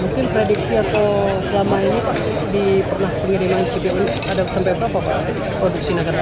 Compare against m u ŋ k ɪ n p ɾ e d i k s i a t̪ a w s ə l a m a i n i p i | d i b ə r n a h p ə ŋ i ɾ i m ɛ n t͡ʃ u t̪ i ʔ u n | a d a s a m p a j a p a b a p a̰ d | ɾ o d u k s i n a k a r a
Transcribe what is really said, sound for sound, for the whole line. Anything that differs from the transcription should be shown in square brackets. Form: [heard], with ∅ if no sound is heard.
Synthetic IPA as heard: m u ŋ k ɪ n p ɾ e d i k s i a t̪ a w s ə l a m a i n i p [a] | d i [p] ə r n a h p ə ŋ i ɾ i m [a] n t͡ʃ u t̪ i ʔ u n | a d a s a m p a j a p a [p] a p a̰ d | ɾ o d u k s i n a k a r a